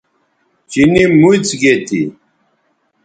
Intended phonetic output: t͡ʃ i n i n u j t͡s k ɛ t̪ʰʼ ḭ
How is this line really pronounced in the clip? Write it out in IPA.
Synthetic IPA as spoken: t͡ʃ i n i m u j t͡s ɡ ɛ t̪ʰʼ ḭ